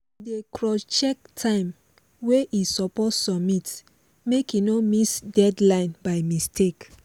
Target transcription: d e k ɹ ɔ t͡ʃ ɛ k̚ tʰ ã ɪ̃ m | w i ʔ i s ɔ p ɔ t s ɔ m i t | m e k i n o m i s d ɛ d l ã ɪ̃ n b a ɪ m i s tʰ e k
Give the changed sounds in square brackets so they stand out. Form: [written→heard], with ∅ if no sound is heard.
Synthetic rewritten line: d e k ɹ ɔ t͡ʃ ɛ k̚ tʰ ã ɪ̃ m | w [i→e] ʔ i s ɔ p ɔ t s ɔ m i t | m e k i n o m i s d ɛ d l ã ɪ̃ n b a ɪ m i s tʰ e k